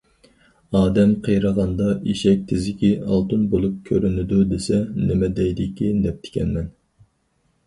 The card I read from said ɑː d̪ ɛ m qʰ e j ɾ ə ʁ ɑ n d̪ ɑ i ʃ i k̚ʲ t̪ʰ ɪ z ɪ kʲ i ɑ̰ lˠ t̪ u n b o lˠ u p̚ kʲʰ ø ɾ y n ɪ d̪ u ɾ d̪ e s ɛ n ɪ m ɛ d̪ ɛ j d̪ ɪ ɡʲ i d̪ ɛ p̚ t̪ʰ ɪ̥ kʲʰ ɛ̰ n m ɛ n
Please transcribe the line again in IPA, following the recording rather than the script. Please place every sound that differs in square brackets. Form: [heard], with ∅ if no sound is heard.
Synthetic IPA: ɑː d̪ ɛ m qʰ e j ɾ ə ʁ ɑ n d̪ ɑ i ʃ [ɛ] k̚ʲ t̪ʰ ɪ z ɪ kʲ i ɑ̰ lˠ t̪ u n b o lˠ u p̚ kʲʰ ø ɾ y n ɪ d̪ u [∅] d̪ e s ɛ n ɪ m ɛ d̪ ɛ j d̪ ɪ [kʲ] i d̪ ɛ p̚ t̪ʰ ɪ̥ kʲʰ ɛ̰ n m ɛ n